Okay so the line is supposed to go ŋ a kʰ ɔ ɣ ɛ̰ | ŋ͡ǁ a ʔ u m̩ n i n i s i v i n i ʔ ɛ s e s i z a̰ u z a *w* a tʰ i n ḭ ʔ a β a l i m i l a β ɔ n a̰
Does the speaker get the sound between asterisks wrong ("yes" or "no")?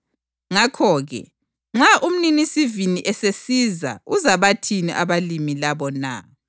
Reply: yes